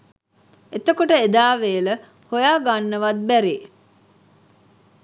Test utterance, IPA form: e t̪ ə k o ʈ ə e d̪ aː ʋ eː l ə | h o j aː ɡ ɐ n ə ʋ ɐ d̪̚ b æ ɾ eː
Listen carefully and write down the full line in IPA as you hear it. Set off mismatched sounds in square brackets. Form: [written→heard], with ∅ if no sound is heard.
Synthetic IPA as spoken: e t̪ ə k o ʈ ə e d̪ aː ʋ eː l ə | h o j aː ɡ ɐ [n→nː] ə ʋ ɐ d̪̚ b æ ɾ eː